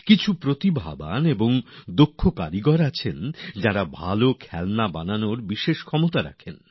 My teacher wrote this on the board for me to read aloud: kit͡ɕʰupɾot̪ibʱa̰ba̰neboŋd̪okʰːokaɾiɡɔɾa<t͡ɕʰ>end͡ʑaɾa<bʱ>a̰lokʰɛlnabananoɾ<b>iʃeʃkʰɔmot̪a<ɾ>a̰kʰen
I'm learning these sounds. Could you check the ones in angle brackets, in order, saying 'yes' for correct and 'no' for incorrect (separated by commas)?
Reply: yes, yes, yes, yes